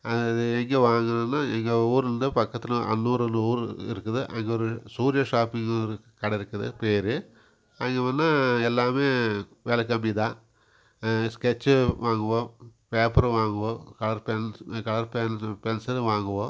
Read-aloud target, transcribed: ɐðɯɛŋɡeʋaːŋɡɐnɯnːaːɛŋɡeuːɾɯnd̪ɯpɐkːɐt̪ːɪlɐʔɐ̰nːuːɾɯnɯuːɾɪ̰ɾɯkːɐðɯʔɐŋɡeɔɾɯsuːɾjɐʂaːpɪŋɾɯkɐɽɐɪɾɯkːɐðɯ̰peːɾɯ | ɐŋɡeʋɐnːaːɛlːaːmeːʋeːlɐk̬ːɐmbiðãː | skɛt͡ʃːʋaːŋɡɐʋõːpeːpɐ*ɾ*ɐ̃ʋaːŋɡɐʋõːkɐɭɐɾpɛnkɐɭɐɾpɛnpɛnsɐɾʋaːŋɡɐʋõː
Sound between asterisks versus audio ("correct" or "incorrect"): correct